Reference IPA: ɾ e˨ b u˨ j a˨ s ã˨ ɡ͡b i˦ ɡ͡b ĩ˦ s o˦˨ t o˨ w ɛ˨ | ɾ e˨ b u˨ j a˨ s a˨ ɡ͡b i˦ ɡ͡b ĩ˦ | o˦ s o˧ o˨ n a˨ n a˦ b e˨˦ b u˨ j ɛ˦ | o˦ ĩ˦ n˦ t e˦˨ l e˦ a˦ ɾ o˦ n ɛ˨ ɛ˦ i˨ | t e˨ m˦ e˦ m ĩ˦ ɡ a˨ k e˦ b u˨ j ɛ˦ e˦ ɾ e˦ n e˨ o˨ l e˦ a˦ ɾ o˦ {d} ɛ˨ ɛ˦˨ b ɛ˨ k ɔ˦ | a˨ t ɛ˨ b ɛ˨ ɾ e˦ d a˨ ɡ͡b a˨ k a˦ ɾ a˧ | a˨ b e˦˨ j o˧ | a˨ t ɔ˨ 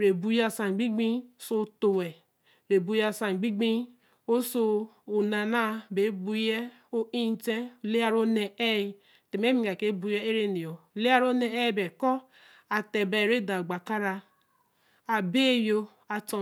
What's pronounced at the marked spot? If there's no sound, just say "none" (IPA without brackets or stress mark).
n